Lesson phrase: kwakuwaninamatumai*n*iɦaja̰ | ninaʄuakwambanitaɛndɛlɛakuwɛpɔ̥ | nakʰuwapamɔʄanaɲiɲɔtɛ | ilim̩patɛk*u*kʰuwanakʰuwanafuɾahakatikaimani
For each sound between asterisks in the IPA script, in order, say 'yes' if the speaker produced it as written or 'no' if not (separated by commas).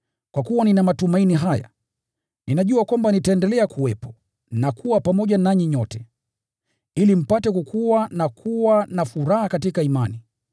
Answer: yes, yes